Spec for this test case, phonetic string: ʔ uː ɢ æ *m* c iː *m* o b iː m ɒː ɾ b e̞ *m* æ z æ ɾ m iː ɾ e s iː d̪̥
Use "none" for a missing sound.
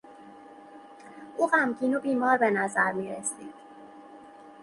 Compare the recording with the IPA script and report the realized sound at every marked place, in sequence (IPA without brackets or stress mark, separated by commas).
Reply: m, n, n